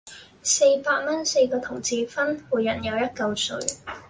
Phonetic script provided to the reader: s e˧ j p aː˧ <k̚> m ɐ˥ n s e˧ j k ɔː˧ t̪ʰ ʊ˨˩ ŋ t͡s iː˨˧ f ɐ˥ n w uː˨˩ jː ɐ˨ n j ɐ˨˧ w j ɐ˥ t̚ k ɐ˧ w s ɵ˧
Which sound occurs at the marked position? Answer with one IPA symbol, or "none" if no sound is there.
t̚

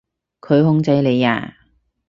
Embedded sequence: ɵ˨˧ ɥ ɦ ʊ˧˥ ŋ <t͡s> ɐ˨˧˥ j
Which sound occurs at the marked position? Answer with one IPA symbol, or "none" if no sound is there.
t͡s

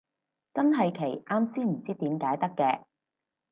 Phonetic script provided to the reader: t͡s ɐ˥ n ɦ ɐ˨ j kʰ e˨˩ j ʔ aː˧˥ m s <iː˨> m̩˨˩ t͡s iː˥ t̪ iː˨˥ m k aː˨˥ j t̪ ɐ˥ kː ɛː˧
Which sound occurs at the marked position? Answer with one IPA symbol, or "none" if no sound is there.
iː˥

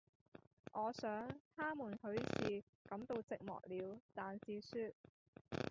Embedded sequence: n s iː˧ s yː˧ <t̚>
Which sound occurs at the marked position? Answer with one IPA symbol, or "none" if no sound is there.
t̚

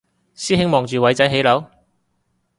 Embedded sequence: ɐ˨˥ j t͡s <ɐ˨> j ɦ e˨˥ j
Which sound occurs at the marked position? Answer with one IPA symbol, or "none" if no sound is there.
ɐ˨˥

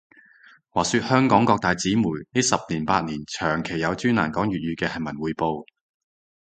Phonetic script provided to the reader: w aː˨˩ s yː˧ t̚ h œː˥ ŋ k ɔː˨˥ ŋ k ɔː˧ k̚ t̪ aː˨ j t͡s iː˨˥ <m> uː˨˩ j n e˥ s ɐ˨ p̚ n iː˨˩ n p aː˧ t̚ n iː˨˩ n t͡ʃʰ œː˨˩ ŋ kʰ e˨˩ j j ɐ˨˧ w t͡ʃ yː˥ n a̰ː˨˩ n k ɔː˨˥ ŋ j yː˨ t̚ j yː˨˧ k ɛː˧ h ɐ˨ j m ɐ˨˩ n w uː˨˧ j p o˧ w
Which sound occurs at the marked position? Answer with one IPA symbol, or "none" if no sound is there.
m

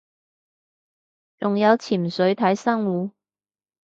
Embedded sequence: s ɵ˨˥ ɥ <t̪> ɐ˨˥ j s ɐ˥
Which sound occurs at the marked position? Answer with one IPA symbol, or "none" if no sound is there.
t̪ʰ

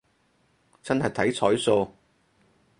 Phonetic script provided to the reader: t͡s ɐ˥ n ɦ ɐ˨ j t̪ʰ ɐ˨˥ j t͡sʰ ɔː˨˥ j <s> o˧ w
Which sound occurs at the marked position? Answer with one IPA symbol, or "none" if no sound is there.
s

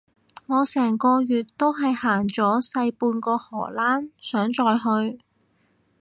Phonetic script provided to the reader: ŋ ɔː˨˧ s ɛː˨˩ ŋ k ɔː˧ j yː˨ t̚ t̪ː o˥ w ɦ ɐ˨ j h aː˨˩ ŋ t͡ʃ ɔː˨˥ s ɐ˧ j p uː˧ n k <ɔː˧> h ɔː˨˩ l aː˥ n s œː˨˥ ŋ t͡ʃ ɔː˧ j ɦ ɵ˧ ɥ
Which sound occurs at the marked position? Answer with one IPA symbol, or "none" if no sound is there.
ɔː˧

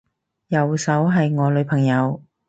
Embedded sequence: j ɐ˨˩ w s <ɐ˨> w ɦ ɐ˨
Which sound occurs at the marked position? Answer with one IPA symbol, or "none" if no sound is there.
ɐ˨˥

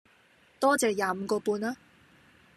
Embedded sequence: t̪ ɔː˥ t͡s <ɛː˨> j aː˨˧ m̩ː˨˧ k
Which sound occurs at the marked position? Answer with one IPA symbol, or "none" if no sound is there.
ɛː˨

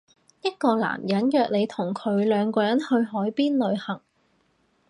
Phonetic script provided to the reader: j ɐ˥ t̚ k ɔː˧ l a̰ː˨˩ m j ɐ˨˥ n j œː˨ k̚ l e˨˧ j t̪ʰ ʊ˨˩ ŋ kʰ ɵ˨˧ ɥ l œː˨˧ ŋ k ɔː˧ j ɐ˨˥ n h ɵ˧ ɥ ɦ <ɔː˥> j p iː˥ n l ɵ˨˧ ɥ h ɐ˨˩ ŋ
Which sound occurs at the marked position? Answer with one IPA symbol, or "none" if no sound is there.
ɔː˨˥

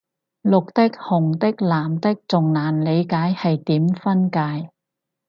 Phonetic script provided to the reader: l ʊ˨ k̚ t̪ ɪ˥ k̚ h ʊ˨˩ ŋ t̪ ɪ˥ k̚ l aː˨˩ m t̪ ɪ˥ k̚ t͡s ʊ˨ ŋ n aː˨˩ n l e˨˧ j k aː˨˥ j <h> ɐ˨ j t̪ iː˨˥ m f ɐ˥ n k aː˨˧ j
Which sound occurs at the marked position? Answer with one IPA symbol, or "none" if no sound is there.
h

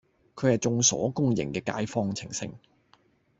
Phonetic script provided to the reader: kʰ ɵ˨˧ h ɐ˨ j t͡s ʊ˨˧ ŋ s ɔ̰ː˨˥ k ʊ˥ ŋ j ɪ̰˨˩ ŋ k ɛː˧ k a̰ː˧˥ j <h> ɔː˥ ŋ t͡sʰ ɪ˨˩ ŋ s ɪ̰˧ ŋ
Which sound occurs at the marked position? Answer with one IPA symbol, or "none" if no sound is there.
f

